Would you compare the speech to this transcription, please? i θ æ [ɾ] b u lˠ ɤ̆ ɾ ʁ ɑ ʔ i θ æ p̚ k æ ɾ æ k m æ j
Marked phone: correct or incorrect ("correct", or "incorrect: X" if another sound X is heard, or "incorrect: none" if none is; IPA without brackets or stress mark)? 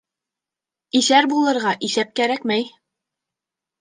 correct